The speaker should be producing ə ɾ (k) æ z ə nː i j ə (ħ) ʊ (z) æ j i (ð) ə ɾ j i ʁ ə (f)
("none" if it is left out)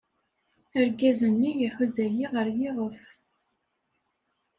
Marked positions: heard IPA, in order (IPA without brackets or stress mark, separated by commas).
ɡ, ħ, z, ʁ, f